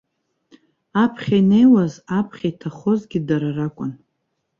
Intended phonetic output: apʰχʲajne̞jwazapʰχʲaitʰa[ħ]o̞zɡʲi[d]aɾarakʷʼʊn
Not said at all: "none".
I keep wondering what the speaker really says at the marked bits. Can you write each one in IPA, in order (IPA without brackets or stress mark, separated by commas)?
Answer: χ, d